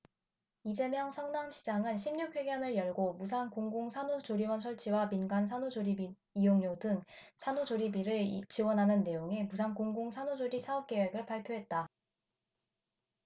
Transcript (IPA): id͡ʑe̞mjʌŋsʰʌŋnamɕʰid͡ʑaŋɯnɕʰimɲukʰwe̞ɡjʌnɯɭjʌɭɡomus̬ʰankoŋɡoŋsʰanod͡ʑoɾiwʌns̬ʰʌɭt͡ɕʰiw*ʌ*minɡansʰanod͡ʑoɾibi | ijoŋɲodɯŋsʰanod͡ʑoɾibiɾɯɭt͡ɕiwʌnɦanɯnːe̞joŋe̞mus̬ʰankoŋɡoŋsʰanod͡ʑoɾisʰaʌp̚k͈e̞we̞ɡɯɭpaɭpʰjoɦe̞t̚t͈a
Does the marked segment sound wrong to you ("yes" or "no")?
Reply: yes